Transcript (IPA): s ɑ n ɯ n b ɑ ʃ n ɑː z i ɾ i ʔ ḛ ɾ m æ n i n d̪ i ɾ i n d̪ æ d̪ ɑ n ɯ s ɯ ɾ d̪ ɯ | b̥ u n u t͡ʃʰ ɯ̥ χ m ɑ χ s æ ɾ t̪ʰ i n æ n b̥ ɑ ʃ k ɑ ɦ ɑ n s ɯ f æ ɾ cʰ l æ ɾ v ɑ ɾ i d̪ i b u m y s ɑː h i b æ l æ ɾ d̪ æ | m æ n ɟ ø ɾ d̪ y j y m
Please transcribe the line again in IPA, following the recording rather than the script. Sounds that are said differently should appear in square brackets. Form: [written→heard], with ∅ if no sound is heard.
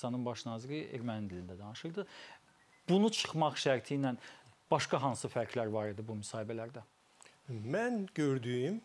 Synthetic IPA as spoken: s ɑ n ɯ n b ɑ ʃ n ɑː z i ɾ i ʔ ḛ ɾ m æ n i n d̪ i [ɾ→l] i n d̪ æ d̪ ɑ n ɯ [s→ʃ] ɯ ɾ d̪ ɯ | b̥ u n u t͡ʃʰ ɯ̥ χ m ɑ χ [s→ʃ] æ ɾ t̪ʰ i n æ n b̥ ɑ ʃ k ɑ ɦ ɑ n s ɯ f æ ɾ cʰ l æ ɾ v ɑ ɾ i d̪ i b u m y s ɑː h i b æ l æ ɾ d̪ æ | m æ n ɟ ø ɾ d̪ y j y m